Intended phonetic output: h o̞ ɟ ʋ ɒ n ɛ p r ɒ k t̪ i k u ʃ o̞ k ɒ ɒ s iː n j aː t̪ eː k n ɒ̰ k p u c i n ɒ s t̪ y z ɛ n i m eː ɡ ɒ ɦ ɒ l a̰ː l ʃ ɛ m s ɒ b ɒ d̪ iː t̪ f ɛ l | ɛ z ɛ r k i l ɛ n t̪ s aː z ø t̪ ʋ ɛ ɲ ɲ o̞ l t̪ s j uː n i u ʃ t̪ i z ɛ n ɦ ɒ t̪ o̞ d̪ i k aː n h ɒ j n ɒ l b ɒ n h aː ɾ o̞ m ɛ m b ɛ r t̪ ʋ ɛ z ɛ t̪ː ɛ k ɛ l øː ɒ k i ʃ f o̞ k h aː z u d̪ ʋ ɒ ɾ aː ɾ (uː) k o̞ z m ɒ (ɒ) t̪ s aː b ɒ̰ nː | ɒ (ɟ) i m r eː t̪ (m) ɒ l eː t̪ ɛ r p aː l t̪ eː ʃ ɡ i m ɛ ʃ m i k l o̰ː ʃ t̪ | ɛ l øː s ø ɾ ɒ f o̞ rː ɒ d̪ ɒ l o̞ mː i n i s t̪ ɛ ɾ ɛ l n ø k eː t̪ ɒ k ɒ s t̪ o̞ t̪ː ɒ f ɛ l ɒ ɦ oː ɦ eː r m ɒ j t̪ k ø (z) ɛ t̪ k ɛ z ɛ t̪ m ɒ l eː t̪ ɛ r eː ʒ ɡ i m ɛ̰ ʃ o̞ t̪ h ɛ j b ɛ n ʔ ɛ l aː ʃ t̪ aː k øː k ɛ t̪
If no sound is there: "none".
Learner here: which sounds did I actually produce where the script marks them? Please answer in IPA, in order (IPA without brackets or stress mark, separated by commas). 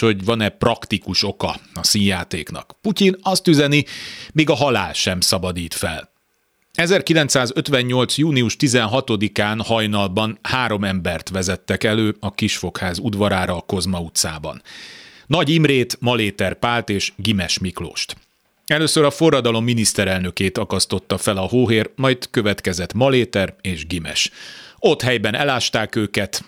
ɒː, u, ɟ, m, v